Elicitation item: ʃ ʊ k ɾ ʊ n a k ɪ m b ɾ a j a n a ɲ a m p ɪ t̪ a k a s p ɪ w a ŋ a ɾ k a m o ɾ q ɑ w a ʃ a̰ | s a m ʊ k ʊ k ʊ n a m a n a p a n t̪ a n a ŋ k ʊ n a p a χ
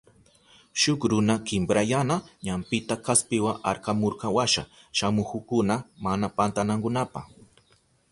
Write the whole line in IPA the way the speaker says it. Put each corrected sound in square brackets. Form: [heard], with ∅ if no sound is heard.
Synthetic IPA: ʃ ʊ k ɾ ʊ n a k ɪ m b ɾ a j a n a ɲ a m p ɪ t̪ a k a s p ɪ w a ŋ a ɾ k a m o ɾ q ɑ w a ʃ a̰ | [ʃ] a m ʊ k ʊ k ʊ n a m a n a p a n t̪ a n a ŋ k ʊ n a p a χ

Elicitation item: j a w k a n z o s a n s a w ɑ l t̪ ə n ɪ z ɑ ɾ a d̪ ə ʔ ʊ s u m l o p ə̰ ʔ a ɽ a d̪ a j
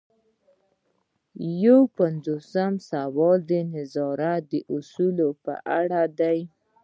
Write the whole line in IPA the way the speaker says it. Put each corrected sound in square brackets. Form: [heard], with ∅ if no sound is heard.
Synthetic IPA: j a w [p] a n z o s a [m] s a w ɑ l [d̪] ə n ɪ z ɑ ɾ a d̪ ə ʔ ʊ s u [∅] l o p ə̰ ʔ a ɽ a d̪ a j

